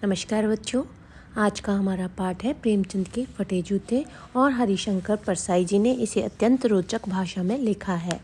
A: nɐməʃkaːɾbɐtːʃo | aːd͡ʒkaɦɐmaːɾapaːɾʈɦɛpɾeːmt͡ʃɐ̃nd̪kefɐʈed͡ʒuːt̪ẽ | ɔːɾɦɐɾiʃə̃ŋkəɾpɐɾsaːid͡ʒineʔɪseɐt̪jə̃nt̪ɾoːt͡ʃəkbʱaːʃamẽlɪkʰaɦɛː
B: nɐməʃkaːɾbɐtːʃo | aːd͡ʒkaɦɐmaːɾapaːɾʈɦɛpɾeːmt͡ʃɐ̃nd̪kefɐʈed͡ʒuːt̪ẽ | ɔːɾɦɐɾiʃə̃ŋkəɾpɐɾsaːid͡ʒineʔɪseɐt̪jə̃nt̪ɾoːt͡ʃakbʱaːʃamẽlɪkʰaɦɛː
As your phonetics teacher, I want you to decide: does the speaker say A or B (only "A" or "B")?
A